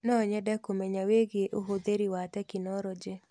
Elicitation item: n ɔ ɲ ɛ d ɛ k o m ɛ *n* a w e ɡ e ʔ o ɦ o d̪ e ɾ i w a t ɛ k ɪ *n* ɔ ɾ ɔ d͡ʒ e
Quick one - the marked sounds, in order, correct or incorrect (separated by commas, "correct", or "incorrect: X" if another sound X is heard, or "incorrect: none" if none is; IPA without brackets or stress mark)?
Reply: incorrect: ɲ, correct